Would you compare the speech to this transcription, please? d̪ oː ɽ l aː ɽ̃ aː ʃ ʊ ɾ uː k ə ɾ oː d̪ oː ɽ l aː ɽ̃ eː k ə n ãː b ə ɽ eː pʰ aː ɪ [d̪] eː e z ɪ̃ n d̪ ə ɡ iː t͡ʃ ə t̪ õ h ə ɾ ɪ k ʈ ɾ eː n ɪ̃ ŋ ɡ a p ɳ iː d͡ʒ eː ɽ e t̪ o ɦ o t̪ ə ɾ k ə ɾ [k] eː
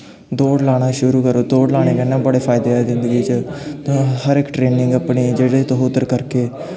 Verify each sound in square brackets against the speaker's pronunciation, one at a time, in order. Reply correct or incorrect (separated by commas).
correct, correct